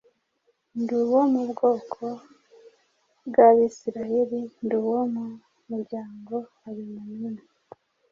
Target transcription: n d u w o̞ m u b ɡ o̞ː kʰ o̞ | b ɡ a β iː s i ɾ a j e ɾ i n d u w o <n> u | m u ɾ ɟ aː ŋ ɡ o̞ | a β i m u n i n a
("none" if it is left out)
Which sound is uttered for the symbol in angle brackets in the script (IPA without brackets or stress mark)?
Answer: m